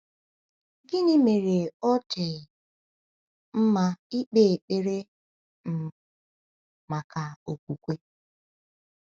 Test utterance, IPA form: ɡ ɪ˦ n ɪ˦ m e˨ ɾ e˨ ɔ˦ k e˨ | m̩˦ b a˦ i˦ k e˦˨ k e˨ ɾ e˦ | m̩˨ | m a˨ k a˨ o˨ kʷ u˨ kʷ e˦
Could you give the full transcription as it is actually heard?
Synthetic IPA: ɡ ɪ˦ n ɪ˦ m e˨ ɾ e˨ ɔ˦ t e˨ | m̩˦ m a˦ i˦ k͡p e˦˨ k͡p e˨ ɾ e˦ | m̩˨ | m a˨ k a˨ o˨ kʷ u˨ kʷ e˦